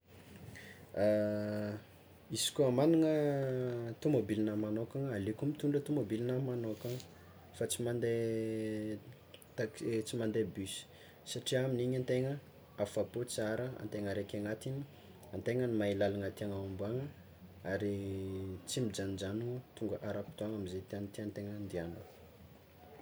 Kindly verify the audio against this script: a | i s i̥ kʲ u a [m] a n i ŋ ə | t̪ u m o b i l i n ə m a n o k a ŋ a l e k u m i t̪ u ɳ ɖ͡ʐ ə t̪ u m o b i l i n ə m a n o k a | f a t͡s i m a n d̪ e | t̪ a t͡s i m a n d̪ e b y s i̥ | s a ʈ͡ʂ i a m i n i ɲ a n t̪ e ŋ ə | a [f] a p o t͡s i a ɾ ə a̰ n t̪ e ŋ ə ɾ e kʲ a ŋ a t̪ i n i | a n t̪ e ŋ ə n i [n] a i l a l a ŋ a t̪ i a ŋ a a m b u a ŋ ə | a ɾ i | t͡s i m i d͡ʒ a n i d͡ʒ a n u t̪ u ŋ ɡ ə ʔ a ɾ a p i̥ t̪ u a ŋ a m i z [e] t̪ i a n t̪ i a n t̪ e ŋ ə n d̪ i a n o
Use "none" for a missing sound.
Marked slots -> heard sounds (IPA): m, f, m, e

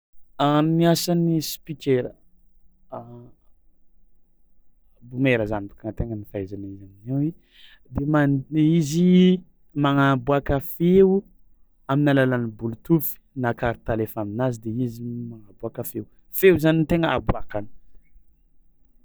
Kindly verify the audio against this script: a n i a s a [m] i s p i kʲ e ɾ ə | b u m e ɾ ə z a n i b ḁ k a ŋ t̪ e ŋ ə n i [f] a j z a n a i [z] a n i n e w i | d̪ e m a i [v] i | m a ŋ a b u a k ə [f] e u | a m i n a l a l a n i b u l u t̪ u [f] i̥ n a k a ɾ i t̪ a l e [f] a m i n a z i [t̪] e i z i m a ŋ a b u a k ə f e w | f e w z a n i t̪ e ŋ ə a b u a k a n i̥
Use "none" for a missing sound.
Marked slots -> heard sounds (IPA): n, f, z, z, f, f, f, d̪

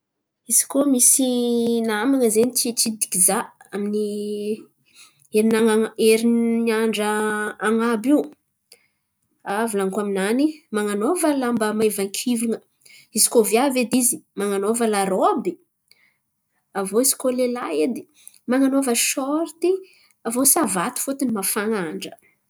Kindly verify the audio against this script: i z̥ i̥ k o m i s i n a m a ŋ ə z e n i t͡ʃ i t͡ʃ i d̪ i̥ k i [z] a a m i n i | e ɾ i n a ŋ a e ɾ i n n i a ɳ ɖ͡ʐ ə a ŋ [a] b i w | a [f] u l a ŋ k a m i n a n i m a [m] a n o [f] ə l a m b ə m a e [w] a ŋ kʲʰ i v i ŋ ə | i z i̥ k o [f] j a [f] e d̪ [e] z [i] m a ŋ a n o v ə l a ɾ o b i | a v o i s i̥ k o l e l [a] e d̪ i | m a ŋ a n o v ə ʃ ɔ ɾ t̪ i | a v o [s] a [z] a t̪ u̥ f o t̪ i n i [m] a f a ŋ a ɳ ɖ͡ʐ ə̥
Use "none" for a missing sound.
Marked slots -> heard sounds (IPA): z, a, v, ŋ, v, v, v, v, i, i, a, s, v, m

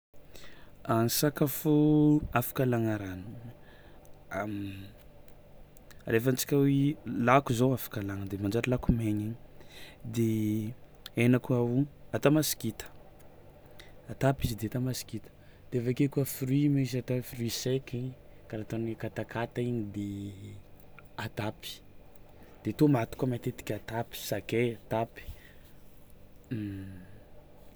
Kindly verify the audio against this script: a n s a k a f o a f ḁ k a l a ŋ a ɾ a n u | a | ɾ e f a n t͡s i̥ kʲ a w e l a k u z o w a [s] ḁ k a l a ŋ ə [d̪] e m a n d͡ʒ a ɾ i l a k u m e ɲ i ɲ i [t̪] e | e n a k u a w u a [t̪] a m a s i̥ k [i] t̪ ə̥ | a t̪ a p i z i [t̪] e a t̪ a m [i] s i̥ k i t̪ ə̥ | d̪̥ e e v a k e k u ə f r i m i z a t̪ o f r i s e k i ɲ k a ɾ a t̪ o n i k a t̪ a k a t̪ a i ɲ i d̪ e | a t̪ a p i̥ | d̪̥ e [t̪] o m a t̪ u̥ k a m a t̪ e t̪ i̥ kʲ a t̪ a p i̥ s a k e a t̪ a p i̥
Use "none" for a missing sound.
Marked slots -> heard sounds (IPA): f, d̪, d̪, t̪, i, d̪, a, t̪

